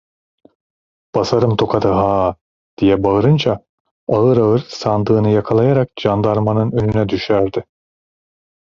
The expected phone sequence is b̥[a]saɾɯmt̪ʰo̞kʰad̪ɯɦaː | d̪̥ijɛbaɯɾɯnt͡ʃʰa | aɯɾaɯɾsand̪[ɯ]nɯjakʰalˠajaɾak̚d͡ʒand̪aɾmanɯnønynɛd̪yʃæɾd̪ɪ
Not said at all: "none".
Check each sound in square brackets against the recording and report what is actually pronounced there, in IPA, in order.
a, ɯː

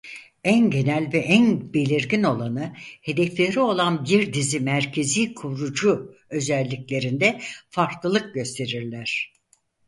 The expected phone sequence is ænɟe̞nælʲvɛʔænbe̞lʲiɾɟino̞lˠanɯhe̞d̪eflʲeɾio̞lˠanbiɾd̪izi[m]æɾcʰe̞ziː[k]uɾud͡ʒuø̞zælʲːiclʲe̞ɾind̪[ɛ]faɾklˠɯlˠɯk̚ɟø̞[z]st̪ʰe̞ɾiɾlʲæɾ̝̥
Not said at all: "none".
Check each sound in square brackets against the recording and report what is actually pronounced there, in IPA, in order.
m, kʰ, ɛ, none

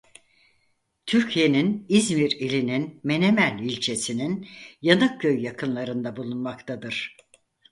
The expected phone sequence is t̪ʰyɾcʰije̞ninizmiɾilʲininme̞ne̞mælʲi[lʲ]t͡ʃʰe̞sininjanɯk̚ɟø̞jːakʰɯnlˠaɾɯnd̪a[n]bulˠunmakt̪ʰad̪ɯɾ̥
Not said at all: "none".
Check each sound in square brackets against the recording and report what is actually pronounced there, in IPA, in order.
lʲ, none

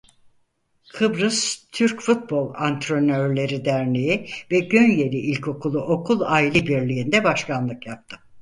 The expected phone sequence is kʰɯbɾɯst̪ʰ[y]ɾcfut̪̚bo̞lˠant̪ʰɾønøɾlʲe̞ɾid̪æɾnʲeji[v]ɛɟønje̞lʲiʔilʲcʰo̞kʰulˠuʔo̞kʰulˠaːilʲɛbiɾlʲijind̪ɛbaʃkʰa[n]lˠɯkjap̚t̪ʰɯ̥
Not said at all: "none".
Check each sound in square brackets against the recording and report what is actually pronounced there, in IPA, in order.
y, v, n

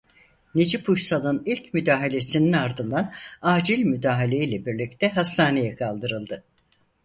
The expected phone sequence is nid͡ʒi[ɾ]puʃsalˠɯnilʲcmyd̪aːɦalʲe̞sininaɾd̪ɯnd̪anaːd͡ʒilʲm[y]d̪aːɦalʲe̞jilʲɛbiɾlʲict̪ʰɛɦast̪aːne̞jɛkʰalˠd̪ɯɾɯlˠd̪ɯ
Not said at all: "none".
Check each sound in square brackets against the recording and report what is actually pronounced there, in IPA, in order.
none, y

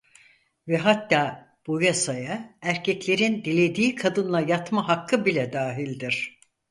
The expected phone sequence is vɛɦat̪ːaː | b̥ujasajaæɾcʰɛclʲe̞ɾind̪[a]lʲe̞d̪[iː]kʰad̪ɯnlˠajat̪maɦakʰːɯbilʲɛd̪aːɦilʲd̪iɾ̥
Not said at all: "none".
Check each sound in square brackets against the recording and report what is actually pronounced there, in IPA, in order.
i, iː

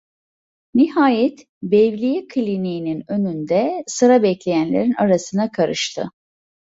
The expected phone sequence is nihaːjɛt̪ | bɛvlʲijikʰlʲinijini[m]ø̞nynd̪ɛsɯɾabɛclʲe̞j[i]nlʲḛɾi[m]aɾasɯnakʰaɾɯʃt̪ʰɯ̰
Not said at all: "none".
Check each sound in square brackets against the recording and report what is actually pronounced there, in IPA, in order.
n, æ, n

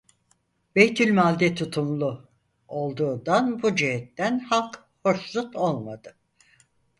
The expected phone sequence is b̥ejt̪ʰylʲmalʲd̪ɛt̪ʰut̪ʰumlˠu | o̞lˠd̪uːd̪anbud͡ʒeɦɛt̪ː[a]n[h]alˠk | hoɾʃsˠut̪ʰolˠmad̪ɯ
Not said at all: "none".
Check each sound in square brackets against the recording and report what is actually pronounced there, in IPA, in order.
æ, h

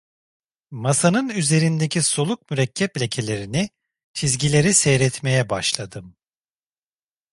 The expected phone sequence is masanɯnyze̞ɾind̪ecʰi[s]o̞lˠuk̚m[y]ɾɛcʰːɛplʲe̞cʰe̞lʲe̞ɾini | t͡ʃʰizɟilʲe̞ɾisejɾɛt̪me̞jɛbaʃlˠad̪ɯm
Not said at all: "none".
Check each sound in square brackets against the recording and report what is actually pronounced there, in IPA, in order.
s, y

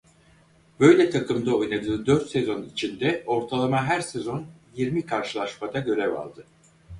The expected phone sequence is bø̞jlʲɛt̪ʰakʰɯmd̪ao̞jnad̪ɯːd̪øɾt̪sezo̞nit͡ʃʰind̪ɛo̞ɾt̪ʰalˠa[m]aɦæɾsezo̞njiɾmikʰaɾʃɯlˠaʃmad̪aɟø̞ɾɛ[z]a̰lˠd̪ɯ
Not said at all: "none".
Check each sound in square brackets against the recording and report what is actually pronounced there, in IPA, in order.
m, v

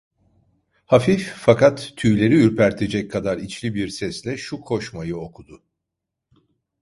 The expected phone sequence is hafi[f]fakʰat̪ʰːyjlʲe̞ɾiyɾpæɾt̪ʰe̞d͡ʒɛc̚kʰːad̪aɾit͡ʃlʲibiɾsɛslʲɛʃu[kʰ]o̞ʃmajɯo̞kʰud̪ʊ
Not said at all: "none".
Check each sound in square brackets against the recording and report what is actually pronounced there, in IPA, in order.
f, kʰ

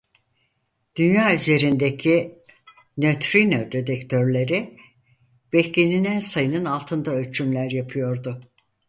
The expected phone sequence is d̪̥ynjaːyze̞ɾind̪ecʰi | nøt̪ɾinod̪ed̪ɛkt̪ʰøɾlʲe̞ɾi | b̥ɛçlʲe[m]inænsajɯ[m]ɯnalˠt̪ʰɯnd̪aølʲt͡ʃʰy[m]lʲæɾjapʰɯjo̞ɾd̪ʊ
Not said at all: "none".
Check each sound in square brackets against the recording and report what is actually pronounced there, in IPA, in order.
n, n, m

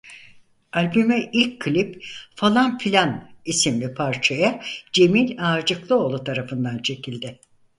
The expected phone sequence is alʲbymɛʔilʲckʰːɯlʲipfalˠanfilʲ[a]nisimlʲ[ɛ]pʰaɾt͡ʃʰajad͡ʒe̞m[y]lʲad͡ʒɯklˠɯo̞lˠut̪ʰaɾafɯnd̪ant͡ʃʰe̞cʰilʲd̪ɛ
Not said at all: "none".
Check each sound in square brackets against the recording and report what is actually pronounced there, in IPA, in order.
a, i, i

